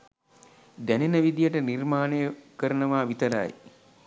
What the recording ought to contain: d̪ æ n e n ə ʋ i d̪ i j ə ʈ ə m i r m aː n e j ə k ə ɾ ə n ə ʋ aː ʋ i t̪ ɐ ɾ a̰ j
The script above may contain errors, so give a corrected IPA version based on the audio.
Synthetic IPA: d̪ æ n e n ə ʋ i d̪ i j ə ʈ ə n i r m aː n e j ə k ə ɾ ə n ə ʋ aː ʋ i t̪ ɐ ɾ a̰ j